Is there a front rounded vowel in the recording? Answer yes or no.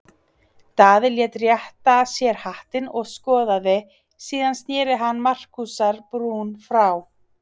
no